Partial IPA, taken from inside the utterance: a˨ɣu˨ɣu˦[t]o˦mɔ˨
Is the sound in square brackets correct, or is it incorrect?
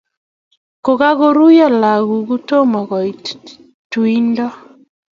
correct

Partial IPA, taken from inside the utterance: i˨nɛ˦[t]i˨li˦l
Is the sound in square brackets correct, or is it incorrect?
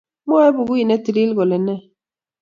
correct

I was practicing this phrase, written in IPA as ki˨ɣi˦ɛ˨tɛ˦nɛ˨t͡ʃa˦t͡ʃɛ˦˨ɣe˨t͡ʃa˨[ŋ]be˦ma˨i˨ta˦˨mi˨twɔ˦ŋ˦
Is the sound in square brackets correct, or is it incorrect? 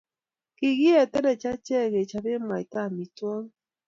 incorrect: none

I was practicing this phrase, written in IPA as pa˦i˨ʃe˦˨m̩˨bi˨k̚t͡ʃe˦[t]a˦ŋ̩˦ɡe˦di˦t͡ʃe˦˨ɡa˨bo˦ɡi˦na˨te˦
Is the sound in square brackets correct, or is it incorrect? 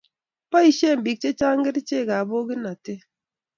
incorrect: t͡ʃ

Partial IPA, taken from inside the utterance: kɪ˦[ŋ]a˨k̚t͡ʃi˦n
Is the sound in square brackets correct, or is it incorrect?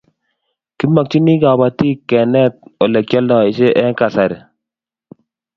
incorrect: m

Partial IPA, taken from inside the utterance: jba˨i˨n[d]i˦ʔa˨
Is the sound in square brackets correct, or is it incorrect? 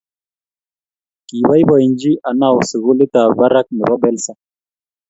incorrect: d͡ʒ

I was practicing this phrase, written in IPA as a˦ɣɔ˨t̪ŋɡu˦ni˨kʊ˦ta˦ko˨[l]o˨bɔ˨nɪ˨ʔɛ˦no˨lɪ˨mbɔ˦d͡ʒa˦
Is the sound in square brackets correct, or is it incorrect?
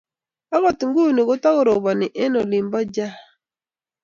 incorrect: ɾ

